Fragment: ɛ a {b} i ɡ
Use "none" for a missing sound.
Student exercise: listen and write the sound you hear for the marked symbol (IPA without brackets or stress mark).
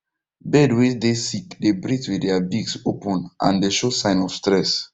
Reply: b